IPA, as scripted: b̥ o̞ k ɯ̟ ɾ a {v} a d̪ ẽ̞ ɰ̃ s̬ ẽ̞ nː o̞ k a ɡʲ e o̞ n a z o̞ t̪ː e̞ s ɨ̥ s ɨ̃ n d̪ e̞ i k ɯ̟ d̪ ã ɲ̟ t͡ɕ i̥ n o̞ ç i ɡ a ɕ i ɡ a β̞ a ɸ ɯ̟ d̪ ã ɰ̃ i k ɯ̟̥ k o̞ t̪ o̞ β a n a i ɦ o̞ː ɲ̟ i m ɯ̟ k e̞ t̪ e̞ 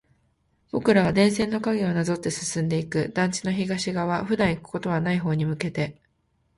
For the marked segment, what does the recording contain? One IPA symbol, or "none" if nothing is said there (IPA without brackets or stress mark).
β